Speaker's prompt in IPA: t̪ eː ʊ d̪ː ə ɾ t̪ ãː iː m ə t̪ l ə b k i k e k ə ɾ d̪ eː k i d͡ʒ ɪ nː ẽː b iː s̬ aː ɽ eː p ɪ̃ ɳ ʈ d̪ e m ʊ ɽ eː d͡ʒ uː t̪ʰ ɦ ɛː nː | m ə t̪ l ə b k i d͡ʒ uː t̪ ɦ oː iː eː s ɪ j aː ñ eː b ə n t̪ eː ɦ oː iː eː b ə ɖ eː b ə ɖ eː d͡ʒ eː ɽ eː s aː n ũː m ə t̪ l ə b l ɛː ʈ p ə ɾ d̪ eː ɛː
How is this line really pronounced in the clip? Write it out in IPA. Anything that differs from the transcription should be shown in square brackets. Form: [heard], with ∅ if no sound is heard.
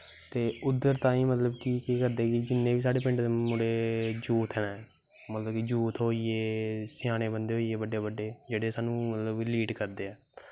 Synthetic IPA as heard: t̪ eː ʊ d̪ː ə ɾ t̪ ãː iː m ə t̪ l ə b k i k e k ə ɾ d̪ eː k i d͡ʒ ɪ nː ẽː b iː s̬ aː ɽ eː p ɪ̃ ɳ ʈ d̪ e m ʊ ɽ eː d͡ʒ uː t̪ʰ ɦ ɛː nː | m ə t̪ l ə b k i d͡ʒ uː t̪ ɦ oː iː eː s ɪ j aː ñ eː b ə n [d̪] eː ɦ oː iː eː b ə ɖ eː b ə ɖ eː d͡ʒ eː ɽ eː s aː n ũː m ə t̪ l ə b l [iː] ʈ [k] ə ɾ d̪ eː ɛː